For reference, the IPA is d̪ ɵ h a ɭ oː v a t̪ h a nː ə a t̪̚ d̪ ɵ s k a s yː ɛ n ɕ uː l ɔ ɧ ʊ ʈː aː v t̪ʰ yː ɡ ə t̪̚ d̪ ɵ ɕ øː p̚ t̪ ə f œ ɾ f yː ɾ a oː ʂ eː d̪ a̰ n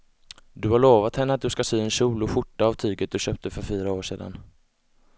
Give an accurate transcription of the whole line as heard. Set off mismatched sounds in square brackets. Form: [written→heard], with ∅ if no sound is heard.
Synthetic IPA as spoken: d̪ ɵ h a ɭ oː v a t̪ h [a→ɛ] nː ə a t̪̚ d̪ ɵ s k a s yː ɛ n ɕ uː l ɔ ɧ ʊ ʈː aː v t̪ʰ yː ɡ ə t̪̚ d̪ ɵ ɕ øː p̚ t̪ ə f œ ɾ f yː ɾ a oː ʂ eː d̪ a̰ n

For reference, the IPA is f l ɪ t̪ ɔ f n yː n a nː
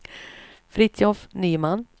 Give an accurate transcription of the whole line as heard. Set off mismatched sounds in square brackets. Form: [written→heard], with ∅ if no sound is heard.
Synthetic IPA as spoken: f [l→ɾ] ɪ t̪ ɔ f n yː [n→m] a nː

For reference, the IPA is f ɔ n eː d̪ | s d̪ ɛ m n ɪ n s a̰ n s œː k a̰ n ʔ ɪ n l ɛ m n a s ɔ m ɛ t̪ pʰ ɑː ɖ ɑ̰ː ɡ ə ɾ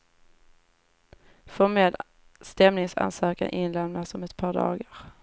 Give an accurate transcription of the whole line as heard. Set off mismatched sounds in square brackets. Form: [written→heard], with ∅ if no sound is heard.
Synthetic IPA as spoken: f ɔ [n→m] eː d̪ | s [d̪→t̪] ɛ m n ɪ [n→ŋ] s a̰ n s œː k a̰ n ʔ ɪ n l ɛ m n a s ɔ m ɛ t̪ pʰ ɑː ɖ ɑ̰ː ɡ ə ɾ

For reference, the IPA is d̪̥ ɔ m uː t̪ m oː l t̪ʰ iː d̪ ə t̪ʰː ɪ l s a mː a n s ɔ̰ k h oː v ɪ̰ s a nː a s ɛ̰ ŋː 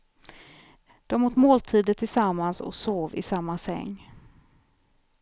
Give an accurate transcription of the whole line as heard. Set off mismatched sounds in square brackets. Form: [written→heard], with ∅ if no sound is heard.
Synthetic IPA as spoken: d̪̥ ɔ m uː t̪ m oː l t̪ʰ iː d̪ ə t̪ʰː ɪ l s a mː a n s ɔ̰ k [h→s] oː v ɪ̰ s a [nː→mː] a s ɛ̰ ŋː

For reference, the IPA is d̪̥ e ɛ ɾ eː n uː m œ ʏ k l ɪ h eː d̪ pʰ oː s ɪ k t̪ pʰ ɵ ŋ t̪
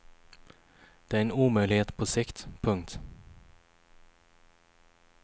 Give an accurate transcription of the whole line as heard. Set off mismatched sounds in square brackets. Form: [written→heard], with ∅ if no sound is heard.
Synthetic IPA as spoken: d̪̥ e [ɛ→æ] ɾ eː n uː m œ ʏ [k→∅] l ɪ h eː [d̪→t̪] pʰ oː s ɪ k t̪ pʰ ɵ ŋ t̪

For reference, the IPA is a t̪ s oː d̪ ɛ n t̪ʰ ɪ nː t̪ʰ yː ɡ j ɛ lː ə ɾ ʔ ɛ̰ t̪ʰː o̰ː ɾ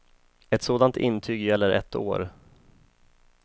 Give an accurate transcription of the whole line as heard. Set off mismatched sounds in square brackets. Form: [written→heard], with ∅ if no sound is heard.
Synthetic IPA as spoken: [a→ɛ] t̪ s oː d̪ [ɛ→a] n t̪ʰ ɪ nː t̪ʰ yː ɡ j ɛ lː ə ɾ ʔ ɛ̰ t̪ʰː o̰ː ɾ

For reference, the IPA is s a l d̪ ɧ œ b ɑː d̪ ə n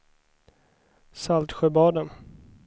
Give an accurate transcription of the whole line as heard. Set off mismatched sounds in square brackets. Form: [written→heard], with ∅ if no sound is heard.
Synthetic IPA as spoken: s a l [d̪→t̪] ɧ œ b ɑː d̪ ə n

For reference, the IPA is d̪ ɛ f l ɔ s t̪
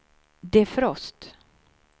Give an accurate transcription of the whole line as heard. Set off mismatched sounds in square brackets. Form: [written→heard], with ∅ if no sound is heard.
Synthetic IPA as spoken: d̪ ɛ f [l→ɾ] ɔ s t̪

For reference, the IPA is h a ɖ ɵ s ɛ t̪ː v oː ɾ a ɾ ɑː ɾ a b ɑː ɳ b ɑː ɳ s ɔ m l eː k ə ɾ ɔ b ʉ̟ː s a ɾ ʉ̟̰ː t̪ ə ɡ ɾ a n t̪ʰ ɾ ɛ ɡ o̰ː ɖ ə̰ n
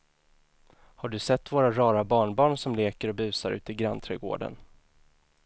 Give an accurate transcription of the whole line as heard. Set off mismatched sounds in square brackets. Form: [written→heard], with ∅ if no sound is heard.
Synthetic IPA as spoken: h a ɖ ɵ s ɛ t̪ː v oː ɾ a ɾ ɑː ɾ a b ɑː ɳ b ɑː ɳ s ɔ m l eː k ə ɾ ɔ b ʉ̟ː s a ɾ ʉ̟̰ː t̪ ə ɡ ɾ a n t̪ʰ ɾ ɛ ɡ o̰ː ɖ ə̰ n

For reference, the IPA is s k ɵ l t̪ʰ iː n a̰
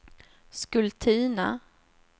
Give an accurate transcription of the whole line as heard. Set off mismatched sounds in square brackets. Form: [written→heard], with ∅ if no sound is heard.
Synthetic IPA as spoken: s k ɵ l t̪ʰ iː n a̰

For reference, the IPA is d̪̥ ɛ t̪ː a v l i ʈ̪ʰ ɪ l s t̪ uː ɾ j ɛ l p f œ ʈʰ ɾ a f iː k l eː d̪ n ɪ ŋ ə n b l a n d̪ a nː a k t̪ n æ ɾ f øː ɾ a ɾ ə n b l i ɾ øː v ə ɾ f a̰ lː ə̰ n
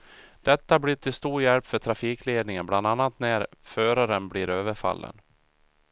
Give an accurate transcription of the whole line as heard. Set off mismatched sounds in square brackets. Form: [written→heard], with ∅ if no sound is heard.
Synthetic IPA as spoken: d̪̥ ɛ t̪ː a [v→b] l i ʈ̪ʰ ɪ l s t̪ uː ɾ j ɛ l p f œ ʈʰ ɾ a f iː k l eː d̪ n ɪ ŋ ə n b l a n d̪ a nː a [k→∅] t̪ n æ ɾ f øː ɾ a ɾ ə n b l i ɾ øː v ə ɾ f a̰ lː ə̰ n

